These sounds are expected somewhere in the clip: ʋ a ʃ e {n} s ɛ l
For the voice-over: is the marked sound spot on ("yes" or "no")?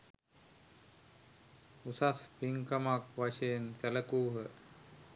yes